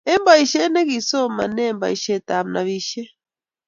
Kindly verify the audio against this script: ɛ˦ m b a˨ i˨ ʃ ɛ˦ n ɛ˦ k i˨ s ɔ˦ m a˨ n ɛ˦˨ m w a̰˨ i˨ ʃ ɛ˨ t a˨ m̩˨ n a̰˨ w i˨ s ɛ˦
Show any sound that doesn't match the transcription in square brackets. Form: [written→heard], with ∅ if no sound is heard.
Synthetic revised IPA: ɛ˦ m b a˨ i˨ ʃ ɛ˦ n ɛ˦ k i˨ s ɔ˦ m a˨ n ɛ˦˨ m [w→b] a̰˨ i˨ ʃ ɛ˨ t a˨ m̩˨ n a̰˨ [w→β] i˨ [s→ʃ] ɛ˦